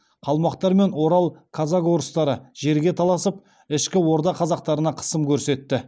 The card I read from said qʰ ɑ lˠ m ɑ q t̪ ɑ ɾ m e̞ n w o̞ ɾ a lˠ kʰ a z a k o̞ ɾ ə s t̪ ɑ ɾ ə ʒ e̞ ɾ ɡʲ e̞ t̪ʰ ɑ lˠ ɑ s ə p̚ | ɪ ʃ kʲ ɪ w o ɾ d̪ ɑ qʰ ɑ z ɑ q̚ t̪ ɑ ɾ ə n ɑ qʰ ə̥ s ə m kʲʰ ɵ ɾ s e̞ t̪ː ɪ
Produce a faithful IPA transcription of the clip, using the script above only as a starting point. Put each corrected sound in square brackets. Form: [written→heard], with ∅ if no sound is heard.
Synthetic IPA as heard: qʰ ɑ lˠ m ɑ q t̪ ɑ ɾ m e̞ n w o̞ ɾ [a→ɑ] lˠ kʰ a z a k o̞ ɾ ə s t̪ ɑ ɾ ə ʒ e̞ ɾ ɡʲ e̞ t̪ʰ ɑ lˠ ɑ s ə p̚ | ɪ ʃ kʲ ɪ w o ɾ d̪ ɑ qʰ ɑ z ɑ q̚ t̪ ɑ ɾ ə n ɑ qʰ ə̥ s ə m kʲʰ ɵ ɾ s e̞ t̪ː ɪ